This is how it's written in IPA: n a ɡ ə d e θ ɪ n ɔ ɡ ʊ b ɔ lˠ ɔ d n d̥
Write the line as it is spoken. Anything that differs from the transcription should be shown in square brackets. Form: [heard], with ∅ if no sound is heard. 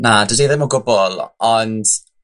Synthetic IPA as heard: n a [d] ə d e [ð] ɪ [m] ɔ ɡ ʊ b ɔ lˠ ɔ [∅] n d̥

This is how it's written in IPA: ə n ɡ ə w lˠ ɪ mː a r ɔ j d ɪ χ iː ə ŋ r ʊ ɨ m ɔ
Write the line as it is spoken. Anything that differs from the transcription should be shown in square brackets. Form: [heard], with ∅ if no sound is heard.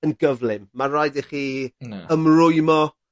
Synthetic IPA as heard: ə n ɡ ə [v] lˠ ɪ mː a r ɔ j d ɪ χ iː ə [m] r ʊ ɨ m ɔ

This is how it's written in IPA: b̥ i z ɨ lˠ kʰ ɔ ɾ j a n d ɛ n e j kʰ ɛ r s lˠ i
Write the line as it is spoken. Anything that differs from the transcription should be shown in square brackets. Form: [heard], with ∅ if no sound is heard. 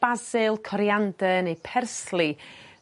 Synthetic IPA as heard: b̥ [a] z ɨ lˠ kʰ ɔ ɾ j a n d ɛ n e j [pʰ] ɛ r s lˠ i

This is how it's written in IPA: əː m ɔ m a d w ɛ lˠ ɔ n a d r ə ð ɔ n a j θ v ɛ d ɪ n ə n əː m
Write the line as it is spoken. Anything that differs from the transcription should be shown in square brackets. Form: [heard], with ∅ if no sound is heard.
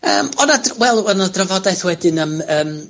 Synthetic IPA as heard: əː m ɔ [n] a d w ɛ lˠ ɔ n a d r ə [v] ɔ [d] a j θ [w] ɛ d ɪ n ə [m] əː m

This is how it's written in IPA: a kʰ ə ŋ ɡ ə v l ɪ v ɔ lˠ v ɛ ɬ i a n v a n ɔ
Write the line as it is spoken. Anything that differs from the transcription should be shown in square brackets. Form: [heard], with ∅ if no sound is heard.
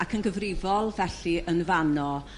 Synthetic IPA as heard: a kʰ ə [n] ɡ ə v [r] ɪ v ɔ lˠ v ɛ ɬ i [ə] n v a n ɔ

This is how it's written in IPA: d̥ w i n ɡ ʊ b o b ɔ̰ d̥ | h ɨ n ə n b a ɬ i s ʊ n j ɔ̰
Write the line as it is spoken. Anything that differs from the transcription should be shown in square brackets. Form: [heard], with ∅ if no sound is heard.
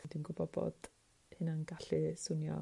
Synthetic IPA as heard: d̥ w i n ɡ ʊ b [ɔ] b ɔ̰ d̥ | h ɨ n [a] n [ɡ] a ɬ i s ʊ n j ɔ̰

